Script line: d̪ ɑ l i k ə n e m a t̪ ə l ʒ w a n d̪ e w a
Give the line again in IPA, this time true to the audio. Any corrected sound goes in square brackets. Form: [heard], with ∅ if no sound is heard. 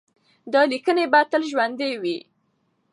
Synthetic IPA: d̪ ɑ l i k ə n e [b] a t̪ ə l ʒ w a n d̪ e w [i]

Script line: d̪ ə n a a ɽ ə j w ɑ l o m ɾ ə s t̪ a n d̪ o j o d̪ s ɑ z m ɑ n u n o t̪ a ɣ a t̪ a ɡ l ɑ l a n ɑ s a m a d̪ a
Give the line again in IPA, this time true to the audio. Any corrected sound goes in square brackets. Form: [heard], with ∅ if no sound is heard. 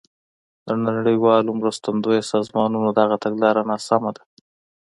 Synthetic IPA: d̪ ə n a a ɽ ə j w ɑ l o m ɾ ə s t̪ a n d̪ o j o [∅] s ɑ z m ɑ n u n o [d̪] a ɣ a t̪ a ɡ l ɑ [ɾ] a n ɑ s a m a d̪ a

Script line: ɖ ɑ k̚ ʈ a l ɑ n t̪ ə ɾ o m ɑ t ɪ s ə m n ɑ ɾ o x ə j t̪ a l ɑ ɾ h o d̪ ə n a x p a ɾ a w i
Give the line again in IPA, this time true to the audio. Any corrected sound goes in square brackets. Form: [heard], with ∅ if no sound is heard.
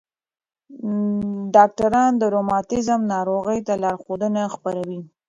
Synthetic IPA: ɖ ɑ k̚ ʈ a [ɾ] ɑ n [d̪] ə ɾ o m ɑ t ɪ [z] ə m n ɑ ɾ o [ɣ] ə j t̪ a l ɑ ɾ [x] o d̪ ə n a x p a ɾ a w i

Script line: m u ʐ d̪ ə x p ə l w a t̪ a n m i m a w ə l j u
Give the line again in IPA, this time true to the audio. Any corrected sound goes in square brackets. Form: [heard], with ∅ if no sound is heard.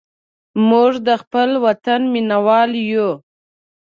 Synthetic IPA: m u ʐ d̪ ə x p ə l w a t̪ a n m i [n] a w [ɑ] l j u

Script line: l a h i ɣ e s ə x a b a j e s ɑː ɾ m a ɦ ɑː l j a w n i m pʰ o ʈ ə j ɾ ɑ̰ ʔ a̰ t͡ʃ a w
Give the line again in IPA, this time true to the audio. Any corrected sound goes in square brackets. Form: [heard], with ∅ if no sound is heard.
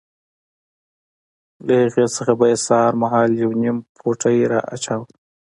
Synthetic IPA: l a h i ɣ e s ə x a b a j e s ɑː ɾ m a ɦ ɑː l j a w n i m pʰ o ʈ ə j ɾ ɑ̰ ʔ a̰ t͡ʃ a w

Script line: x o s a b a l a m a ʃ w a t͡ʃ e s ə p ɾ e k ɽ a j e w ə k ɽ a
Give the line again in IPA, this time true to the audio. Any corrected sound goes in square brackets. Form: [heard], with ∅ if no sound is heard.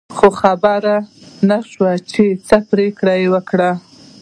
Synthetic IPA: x o [x] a b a [ɾ] a [n] a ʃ w a t͡ʃ e [t͡s] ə p ɾ e k ɽ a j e w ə k ɽ a

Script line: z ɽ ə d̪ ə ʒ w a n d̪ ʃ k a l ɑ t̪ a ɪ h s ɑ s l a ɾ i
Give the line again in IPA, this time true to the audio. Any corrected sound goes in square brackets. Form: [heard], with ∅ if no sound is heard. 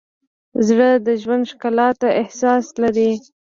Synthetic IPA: z ɽ ə d̪ ə ʒ w a n d̪ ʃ k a l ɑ t̪ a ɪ h s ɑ s l a ɾ i

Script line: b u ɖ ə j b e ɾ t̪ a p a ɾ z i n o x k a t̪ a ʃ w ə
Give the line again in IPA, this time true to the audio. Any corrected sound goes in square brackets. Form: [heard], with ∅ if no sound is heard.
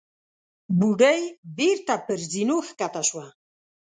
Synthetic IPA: b u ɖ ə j b e ɾ t̪ a p [ə] ɾ z i n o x k a t̪ a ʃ w [a]

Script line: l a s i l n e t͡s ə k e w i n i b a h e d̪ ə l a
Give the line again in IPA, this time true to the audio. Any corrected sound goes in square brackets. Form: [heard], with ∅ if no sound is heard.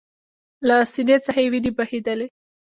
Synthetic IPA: l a s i [∅] n e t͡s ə [x] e w i n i b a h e d̪ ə l [e]

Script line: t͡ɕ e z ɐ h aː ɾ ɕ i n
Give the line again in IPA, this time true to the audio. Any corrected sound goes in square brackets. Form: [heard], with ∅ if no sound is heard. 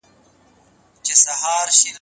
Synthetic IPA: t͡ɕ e [s] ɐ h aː ɾ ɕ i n

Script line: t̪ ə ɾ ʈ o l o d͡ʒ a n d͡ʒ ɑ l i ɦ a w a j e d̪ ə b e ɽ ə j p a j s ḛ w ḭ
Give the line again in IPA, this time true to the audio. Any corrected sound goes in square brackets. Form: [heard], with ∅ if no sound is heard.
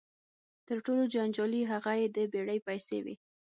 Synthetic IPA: t̪ ə ɾ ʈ o l o d͡ʒ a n d͡ʒ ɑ l i ɦ a [ɣ] a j e d̪ ə b e ɽ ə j p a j s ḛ w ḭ

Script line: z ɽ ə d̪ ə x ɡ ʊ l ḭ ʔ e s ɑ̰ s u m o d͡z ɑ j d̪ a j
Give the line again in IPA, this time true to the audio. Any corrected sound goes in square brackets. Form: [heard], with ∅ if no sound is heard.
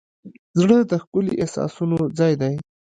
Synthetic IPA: z ɽ ə d̪ ə x [k] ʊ l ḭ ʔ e s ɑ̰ s u [n] o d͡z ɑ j d̪ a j

